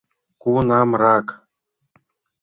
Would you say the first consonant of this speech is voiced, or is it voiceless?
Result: voiceless